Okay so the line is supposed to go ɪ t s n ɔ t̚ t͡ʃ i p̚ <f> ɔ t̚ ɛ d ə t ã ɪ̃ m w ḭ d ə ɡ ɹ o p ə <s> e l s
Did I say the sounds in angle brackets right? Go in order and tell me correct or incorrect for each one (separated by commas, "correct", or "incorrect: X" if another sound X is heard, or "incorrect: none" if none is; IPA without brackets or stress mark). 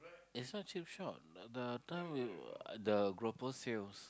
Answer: incorrect: ʃ, correct